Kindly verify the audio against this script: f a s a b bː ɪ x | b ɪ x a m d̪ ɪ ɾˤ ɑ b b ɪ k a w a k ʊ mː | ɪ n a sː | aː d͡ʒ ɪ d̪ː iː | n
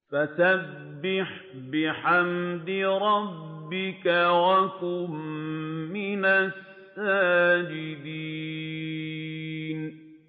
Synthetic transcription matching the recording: f a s a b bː ɪ ħ | b ɪ ħ a m d̪ ɪ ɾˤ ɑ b bː ɪ k a w a k ʊ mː | ɪ n a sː | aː d͡ʒ ɪ d̪ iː | n